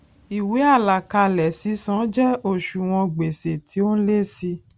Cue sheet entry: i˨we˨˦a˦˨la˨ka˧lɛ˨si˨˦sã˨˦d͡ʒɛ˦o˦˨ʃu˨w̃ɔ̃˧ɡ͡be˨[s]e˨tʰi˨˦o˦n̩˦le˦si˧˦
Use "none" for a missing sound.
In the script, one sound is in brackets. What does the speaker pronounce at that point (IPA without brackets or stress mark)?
s